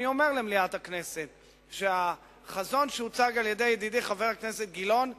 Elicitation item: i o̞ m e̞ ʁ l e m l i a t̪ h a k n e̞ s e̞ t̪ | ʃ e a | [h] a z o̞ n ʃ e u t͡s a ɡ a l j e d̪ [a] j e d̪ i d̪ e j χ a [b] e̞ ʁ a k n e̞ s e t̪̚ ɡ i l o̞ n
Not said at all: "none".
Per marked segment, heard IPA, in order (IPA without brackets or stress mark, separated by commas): χ, e, v